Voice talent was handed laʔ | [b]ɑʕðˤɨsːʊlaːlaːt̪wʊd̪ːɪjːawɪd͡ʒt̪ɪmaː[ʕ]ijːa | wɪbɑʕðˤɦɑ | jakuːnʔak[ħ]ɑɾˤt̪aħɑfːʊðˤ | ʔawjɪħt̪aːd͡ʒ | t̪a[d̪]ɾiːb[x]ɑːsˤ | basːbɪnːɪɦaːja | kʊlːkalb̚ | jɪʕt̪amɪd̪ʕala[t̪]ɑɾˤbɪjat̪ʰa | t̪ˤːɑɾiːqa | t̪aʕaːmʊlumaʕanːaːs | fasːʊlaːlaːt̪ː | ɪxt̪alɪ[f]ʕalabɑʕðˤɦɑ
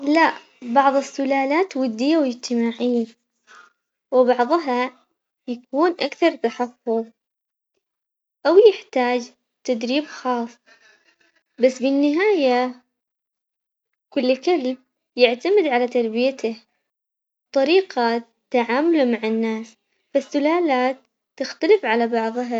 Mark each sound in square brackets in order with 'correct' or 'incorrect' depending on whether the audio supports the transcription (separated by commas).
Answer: correct, correct, incorrect, correct, correct, correct, correct